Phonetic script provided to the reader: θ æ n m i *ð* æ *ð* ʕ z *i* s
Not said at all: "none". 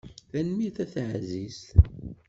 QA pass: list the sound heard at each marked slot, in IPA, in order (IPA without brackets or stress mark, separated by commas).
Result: θ, θ, i